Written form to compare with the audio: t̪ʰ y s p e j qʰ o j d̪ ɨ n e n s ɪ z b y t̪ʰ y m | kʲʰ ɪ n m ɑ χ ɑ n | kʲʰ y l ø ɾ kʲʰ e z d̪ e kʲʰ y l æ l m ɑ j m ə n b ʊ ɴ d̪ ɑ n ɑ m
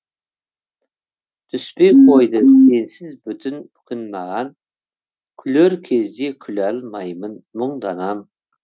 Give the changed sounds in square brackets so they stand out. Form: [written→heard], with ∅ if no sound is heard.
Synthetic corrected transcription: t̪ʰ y s p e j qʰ o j d̪ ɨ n e n s ɪ z b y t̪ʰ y [m→n] | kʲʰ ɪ n m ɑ [χ→ʁ] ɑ n | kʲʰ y l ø ɾ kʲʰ e z d̪ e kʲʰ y l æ l m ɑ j m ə n [b→m] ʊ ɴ d̪ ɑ n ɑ m